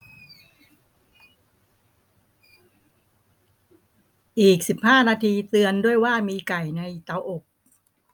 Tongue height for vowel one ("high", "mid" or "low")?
high